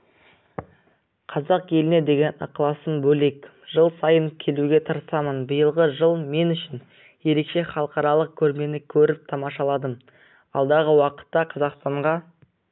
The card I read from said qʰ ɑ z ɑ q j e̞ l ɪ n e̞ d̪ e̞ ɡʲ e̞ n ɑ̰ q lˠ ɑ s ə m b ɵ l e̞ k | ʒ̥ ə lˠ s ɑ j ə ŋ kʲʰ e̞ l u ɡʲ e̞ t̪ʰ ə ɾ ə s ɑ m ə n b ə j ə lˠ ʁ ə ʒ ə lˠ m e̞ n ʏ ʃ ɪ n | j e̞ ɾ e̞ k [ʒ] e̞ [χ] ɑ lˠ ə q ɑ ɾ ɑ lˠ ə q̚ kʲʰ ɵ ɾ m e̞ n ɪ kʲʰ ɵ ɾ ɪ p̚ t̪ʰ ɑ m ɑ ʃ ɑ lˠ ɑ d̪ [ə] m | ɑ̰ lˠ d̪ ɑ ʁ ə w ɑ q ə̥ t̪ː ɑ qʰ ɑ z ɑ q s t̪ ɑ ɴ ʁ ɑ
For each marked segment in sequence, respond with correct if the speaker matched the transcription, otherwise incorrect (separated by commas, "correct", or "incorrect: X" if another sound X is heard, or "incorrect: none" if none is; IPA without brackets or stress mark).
incorrect: ʃ, correct, correct